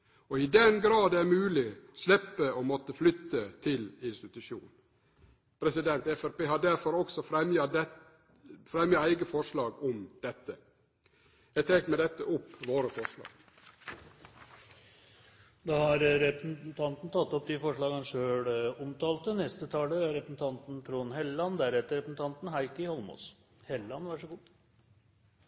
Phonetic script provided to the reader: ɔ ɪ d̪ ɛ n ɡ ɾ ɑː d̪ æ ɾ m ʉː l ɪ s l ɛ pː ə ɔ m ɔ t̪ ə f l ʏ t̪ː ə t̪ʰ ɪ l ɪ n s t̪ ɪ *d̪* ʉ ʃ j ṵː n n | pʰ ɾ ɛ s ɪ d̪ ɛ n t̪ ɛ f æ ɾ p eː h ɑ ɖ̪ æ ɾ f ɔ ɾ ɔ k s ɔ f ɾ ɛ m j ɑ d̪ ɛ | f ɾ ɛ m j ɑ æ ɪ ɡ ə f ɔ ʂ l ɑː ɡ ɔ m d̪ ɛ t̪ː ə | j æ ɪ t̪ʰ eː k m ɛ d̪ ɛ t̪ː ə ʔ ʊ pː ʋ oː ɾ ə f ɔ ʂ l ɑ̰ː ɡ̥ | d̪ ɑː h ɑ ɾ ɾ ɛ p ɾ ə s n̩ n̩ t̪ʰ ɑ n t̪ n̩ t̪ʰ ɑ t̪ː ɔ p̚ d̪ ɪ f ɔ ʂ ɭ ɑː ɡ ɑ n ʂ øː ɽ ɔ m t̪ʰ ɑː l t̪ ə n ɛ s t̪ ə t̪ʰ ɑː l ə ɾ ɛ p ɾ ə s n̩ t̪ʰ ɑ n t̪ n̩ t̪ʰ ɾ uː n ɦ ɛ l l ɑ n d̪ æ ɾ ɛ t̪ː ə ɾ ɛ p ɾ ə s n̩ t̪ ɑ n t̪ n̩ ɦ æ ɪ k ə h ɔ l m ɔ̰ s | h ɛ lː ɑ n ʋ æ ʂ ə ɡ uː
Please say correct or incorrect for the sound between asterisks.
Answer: incorrect: t̪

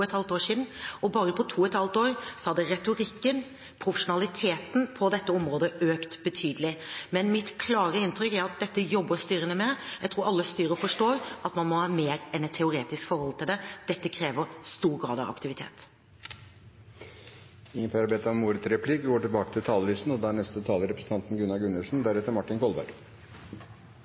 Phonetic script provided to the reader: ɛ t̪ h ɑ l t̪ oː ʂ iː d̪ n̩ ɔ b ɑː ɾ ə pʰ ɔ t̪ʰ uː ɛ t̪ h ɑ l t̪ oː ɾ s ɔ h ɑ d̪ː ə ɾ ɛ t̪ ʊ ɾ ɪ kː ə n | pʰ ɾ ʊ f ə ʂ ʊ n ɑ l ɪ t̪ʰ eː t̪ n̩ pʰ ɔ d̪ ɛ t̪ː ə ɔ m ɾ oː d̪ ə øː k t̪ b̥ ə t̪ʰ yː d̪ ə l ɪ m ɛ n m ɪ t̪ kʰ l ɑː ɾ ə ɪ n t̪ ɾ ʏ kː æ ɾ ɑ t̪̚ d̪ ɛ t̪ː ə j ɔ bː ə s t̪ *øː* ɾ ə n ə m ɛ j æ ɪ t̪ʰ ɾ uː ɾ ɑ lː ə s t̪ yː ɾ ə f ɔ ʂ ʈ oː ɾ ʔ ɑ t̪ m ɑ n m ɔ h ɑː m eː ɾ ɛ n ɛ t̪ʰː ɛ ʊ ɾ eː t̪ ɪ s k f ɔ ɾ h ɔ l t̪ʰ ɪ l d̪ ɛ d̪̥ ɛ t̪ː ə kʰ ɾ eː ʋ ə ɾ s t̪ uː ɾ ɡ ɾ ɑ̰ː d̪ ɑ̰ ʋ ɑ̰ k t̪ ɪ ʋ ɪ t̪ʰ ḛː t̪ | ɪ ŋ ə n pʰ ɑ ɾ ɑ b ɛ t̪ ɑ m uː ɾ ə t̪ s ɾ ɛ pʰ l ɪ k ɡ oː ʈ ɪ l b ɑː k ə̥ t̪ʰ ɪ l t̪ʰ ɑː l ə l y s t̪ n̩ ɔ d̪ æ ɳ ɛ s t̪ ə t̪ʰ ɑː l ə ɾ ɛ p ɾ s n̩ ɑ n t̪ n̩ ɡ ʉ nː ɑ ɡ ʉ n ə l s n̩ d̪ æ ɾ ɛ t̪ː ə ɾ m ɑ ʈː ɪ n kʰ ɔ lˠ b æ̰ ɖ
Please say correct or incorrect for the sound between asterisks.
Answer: incorrect: yː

